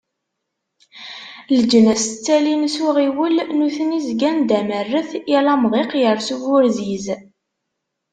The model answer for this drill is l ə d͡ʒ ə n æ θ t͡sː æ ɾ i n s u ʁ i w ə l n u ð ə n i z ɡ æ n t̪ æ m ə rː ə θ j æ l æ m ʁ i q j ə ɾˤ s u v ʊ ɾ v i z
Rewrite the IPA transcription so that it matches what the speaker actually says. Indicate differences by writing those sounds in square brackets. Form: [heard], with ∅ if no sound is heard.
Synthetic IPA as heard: l ə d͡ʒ ə n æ [s] t͡sː æ [l] i n s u ʁ i w ə l n u [θ] ə n i z ɡ æ n [d̪] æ m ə rː ə θ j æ l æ m ʁ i q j ə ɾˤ s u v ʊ ɾ [z] i z